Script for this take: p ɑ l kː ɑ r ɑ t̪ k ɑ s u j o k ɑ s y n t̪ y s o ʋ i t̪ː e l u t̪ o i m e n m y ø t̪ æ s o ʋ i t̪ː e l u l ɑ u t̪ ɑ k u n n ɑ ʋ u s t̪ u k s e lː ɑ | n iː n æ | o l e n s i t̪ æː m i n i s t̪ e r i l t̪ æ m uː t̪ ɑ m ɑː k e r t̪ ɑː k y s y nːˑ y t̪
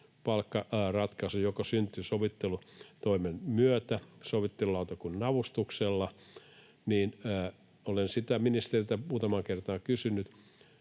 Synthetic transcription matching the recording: p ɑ l kː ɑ r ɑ t̪ k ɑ s u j o k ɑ s y n t̪ y s o ʋ i t̪ː e l u t̪ o i m e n m y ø t̪ æ s o ʋ i t̪ː e l u l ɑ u t̪ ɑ k u n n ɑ ʋ u s t̪ u k s e lː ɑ | n iː n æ | o l e n s i t̪ æ m i n i s t̪ e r i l t̪ æ m uː t̪ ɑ m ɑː k e r t̪ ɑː k y s y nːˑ y t̪